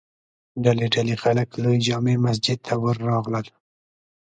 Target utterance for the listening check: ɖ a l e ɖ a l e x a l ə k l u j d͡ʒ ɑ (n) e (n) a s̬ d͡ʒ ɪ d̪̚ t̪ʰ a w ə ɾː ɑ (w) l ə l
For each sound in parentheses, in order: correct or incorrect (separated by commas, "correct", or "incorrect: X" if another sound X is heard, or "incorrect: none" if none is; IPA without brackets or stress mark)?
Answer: incorrect: m, incorrect: m, incorrect: ɣ